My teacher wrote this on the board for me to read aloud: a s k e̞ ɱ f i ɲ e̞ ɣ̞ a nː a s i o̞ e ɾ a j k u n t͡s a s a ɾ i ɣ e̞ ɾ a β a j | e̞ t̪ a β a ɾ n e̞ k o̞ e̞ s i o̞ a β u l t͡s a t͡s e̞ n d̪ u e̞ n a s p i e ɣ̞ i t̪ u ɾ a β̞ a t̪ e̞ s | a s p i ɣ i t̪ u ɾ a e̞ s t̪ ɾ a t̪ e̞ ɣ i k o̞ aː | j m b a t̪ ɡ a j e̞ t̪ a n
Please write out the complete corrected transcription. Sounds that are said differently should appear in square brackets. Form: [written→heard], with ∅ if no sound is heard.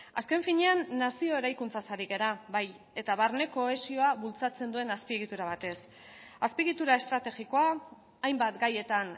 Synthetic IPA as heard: a s k e̞ ɱ f i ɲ e̞ [ɣ̞→∅] a nː a s i o̞ e ɾ a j k u n t͡s a s a ɾ i ɣ e̞ ɾ a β a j | e̞ t̪ a β a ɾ n e̞ k o̞ e̞ s i o̞ a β u l t͡s a t͡s e̞ n d̪ u e̞ n a s p i e ɣ̞ i t̪ u ɾ a β̞ a t̪ e̞ s | a s p i ɣ i t̪ u ɾ a e̞ s t̪ ɾ a t̪ e̞ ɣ i k o̞ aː | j m b a t̪ ɡ a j e̞ t̪ a n